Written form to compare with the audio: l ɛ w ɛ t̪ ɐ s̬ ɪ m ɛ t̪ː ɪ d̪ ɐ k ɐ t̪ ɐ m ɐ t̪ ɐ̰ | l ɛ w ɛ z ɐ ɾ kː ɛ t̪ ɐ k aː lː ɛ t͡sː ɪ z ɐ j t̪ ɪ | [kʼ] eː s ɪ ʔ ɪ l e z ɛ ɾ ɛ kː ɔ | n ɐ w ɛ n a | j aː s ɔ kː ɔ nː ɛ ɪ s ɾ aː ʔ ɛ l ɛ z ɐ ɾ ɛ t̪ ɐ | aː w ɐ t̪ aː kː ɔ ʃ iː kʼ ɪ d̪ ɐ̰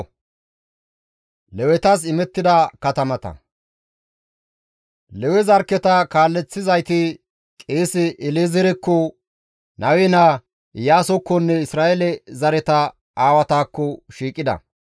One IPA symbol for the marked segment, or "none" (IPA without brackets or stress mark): kʼ